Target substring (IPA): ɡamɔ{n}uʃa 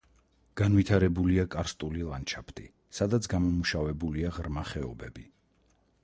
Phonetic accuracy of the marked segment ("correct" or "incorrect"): incorrect